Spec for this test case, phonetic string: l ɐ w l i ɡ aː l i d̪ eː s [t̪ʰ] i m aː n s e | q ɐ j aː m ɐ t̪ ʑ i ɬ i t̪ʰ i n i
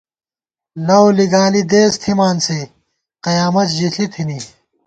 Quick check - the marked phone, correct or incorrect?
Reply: correct